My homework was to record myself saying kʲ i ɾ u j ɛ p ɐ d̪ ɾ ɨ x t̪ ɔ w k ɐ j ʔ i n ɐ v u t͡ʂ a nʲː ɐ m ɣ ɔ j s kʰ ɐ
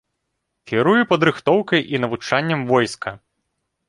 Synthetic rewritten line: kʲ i ɾ u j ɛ p ɐ d̪ ɾ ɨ x t̪ ɔ w k ɐ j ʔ i n ɐ v u t͡ʂ a nʲː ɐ m v ɔ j s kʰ ɐ